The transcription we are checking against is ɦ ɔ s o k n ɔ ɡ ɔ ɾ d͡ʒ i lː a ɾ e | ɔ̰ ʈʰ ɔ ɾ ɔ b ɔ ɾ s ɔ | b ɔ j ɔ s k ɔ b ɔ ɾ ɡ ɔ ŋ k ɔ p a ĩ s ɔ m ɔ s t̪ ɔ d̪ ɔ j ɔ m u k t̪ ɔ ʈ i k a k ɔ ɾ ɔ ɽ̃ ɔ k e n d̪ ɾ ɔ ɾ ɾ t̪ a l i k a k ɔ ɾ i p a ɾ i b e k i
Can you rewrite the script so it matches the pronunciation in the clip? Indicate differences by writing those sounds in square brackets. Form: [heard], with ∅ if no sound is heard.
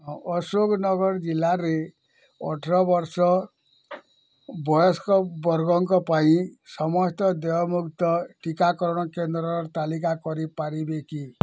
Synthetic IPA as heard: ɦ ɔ s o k n ɔ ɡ ɔ ɾ d͡ʒ i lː a ɾ e | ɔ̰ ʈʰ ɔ ɾ ɔ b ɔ ɾ s ɔ | b ɔ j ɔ s k ɔ b ɔ ɾ ɡ ɔ ŋ k ɔ p a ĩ s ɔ m ɔ s t̪ ɔ d̪ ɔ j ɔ m u k t̪ ɔ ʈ i k a k ɔ ɾ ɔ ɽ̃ ɔ k e n d̪ ɾ ɔ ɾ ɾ t̪ a l i k a k ɔ ɾ i p a ɾ i b e k i